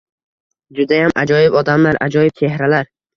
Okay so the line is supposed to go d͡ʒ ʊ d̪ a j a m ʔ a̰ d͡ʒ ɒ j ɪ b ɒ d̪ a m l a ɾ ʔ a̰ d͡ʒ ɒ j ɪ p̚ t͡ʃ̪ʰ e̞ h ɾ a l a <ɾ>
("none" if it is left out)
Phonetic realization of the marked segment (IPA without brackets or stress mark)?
ɾ